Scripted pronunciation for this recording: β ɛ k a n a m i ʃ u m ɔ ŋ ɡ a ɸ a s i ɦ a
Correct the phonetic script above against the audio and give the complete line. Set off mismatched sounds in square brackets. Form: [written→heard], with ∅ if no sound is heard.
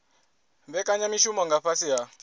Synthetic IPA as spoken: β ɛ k a [n→ɲ] a m i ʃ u m ɔ ŋ ɡ a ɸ a s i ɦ a